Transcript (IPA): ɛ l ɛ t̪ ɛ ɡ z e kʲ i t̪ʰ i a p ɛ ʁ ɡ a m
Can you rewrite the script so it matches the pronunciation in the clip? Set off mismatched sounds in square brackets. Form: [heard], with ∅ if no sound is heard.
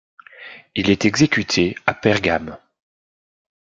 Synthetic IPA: [i] l ɛ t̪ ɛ ɡ z e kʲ [y] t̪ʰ [e] a p ɛ ʁ ɡ a m